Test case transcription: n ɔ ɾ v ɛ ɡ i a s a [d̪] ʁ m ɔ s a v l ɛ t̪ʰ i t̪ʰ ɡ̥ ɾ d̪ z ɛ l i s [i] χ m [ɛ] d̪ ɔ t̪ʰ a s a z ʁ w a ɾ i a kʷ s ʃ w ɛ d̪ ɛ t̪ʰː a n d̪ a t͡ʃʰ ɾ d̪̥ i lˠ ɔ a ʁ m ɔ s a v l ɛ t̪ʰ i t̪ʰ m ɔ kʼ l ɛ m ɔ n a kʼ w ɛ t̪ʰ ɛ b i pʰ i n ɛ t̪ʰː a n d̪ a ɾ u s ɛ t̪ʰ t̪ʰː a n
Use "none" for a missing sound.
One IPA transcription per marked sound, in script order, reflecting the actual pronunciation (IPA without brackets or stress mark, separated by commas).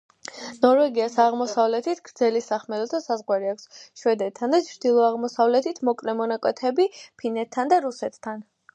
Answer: none, a, ɛ